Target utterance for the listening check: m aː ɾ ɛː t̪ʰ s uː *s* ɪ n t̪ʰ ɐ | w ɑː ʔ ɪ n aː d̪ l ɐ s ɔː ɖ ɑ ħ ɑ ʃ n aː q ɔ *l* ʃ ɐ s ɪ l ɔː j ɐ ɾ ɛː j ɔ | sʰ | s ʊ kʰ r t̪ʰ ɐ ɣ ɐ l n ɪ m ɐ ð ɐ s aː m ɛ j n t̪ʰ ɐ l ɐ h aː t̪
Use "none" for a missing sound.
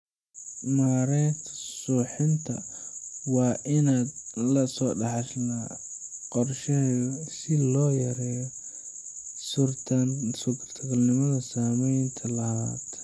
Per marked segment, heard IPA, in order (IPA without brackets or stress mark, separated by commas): ħ, r